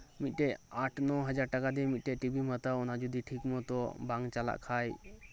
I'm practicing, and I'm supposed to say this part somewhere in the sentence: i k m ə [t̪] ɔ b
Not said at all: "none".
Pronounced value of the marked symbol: t̪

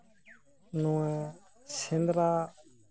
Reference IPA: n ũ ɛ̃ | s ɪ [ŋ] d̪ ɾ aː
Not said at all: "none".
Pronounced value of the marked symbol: n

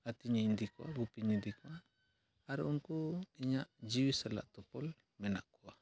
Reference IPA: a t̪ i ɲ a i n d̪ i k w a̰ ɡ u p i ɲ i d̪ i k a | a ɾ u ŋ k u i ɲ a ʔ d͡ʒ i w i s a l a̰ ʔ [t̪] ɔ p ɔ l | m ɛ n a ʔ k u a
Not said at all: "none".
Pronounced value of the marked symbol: t̪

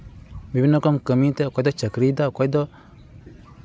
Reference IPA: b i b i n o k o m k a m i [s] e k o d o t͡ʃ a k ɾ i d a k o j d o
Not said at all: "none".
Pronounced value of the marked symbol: t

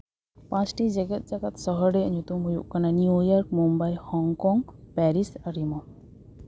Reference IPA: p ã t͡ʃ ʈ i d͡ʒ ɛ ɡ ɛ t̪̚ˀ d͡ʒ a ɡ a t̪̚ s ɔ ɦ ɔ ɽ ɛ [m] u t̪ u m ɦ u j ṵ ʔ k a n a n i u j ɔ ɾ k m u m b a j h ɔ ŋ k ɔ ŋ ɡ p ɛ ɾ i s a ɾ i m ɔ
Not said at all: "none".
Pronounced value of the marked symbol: ɲ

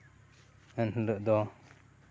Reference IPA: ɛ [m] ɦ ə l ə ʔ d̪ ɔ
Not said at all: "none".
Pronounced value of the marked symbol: n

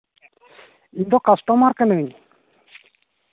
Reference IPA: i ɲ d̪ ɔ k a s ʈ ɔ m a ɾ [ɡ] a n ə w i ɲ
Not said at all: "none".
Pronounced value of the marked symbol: k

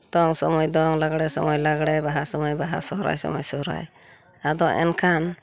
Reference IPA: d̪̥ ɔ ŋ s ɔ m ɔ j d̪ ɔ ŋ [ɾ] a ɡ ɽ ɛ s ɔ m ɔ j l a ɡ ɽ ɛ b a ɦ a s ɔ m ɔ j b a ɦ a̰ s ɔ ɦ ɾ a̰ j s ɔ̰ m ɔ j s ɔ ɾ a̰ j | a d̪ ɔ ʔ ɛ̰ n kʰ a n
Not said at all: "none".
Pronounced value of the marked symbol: l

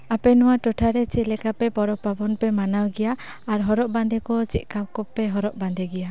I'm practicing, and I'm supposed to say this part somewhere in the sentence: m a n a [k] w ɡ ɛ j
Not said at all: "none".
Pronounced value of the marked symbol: none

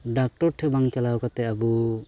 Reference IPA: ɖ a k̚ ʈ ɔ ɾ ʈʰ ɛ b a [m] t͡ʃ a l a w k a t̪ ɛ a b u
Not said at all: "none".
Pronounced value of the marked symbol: ŋ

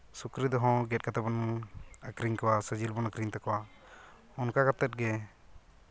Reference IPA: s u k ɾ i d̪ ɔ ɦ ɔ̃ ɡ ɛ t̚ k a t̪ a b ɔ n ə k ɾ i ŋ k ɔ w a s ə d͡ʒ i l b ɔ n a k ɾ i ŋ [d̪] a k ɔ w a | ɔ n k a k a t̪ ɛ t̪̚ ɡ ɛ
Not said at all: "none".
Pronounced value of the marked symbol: t̪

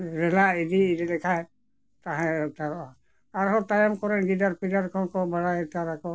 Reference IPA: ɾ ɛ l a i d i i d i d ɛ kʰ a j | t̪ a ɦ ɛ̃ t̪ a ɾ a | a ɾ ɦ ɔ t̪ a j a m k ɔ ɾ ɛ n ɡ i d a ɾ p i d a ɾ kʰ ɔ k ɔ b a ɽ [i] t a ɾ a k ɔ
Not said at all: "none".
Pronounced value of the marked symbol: a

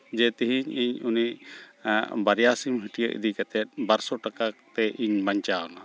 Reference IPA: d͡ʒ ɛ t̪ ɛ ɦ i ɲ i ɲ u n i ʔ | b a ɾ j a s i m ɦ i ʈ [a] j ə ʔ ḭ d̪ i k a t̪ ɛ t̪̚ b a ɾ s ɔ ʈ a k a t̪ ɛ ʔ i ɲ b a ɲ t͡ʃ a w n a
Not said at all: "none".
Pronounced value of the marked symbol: i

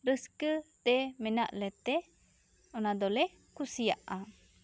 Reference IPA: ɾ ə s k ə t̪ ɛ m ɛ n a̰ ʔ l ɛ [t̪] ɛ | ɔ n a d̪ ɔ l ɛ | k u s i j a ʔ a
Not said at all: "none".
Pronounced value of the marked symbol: t̪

